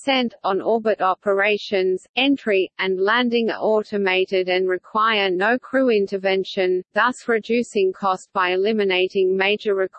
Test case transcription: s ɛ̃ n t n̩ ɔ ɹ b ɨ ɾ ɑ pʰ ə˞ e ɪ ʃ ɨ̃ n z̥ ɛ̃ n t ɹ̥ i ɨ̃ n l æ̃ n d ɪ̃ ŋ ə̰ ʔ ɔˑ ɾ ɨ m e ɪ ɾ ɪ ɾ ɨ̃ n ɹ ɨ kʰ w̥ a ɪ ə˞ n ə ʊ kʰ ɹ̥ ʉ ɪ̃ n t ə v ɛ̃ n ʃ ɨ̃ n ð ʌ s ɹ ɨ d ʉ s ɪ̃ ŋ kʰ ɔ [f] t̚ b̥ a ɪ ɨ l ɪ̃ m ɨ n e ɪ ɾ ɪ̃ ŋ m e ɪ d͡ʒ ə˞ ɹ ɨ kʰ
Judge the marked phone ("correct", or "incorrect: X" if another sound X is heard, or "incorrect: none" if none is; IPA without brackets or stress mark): incorrect: s